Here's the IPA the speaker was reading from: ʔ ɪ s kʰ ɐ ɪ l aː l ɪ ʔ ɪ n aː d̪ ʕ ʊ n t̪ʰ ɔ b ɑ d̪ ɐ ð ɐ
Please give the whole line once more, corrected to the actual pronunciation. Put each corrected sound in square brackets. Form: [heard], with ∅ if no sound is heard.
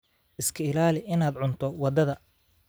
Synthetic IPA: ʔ ɪ s kʰ ɐ ɪ l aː l ɪ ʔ ɪ n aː d̪ ʕ ʊ n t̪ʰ ɔ [w] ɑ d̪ ɐ ð ɐ